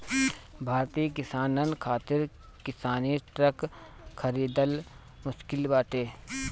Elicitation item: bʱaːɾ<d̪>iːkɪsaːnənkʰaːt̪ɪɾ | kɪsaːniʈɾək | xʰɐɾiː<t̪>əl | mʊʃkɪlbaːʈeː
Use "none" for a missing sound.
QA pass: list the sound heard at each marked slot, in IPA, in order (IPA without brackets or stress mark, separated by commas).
t̪, d̪